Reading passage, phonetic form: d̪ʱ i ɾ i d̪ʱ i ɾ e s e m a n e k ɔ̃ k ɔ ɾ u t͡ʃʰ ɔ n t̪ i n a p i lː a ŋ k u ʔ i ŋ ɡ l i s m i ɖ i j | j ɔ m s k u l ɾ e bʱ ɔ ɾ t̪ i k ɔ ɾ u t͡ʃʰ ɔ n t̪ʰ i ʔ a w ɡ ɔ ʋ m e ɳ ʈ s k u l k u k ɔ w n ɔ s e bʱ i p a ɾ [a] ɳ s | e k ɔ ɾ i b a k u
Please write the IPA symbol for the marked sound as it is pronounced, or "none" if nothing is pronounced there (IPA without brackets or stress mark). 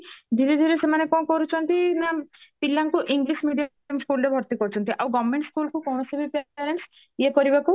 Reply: e